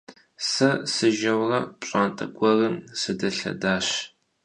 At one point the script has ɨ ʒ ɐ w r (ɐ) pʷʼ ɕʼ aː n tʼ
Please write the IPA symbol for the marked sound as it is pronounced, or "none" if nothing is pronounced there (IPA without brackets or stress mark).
ɐ